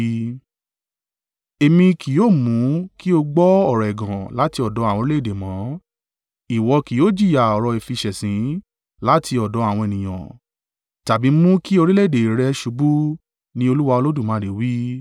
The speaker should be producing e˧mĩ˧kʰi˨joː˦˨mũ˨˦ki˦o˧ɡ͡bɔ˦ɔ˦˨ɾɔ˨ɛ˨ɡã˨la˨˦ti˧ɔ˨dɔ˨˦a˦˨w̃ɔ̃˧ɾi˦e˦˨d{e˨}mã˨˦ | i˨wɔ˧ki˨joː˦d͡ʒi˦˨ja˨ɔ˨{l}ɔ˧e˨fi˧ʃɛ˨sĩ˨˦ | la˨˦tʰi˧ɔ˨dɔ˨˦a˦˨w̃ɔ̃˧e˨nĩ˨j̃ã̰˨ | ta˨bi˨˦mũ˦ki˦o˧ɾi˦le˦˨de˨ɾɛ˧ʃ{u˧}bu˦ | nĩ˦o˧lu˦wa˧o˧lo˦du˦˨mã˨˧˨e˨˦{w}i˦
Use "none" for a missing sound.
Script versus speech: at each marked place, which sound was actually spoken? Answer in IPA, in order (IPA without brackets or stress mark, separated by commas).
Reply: e˨, ɾ, u˧, w